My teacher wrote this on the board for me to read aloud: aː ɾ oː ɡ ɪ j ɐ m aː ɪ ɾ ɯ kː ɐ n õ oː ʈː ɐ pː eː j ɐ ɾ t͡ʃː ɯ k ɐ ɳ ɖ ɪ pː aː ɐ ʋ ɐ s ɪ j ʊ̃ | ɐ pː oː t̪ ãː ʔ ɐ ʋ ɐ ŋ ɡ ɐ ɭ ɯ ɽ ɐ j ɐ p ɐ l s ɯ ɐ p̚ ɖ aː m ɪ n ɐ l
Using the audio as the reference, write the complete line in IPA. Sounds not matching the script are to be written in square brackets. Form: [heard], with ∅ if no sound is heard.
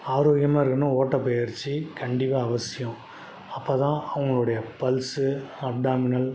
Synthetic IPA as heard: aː ɾ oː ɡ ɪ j ɐ m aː ɪ ɾ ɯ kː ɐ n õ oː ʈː ɐ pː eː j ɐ ɾ t͡ʃː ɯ k ɐ ɳ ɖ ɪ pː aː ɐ ʋ ɐ s ɪ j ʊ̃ | ɐ pː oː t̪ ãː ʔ ɐ ʋ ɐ ŋ ɡ ɐ ɭ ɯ ɽ ɐ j ɐ p ɐ l s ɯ ɐ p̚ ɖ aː m ɪ n ɐ l

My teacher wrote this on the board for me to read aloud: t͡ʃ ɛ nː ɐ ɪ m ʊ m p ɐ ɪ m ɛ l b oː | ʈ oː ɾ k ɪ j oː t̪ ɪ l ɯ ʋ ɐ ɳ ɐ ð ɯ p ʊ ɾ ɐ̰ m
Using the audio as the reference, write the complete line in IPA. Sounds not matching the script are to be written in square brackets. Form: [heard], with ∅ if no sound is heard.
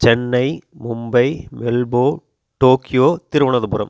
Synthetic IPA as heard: t͡ʃ ɛ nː ɐ ɪ m ʊ m [b] ɐ ɪ m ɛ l b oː | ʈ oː [∅] k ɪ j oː t̪ ɪ [ɾ] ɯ ʋ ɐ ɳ ɐ ð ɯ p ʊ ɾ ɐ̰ m

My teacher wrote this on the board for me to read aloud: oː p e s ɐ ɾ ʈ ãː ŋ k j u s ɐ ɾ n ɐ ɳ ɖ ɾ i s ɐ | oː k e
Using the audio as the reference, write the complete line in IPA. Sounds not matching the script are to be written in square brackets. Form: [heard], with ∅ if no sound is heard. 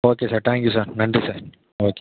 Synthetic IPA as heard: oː [k] e s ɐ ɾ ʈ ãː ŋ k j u s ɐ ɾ n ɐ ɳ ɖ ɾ i s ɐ | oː k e

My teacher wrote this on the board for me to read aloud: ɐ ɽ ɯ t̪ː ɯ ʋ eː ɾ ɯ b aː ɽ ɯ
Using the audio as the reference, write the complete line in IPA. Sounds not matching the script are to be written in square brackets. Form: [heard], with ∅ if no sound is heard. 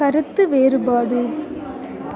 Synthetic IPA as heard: ɐ [ɾ] ɯ t̪ː ɯ ʋ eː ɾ ɯ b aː ɽ ɯ

